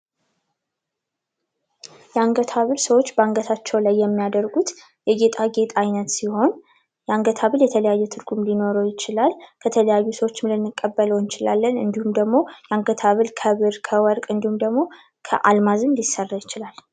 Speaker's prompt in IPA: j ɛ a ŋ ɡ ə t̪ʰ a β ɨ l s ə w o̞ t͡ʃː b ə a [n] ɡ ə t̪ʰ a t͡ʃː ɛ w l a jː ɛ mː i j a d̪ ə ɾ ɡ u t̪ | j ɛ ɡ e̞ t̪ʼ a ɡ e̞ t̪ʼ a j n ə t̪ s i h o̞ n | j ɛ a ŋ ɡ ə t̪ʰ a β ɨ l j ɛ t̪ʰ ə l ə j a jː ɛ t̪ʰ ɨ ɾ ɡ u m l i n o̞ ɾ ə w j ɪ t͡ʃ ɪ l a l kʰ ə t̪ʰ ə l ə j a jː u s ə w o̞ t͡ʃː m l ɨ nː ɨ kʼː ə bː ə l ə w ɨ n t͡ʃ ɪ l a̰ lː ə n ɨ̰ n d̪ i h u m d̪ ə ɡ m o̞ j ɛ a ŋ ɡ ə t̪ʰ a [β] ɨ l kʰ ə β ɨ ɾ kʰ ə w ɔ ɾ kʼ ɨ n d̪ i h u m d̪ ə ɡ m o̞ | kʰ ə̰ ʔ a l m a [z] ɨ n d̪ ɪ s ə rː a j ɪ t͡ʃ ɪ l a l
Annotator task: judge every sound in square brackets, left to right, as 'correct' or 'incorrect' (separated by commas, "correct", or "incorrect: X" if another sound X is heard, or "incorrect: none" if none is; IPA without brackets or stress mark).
incorrect: ŋ, correct, correct